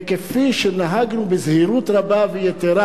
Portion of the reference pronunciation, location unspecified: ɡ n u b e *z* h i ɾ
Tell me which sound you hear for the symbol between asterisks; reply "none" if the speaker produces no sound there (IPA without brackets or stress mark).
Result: z